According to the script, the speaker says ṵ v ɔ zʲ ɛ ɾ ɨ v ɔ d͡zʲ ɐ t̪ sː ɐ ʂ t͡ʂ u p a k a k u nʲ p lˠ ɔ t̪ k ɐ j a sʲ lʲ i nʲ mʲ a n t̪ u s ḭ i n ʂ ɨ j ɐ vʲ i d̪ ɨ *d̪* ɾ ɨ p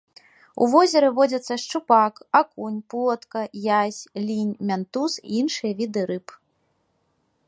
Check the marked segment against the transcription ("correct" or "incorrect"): incorrect